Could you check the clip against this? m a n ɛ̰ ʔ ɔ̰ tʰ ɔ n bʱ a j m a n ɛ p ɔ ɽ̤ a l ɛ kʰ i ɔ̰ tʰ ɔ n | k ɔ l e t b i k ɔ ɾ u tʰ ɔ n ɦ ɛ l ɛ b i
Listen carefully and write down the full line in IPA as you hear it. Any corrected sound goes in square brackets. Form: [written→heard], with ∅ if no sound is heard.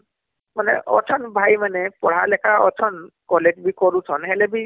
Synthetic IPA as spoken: m a n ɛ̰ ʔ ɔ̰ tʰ ɔ n bʱ a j m a n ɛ p ɔ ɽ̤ a l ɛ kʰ [i→a] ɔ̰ tʰ ɔ n | k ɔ l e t b i k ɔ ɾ u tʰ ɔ n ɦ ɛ l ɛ b i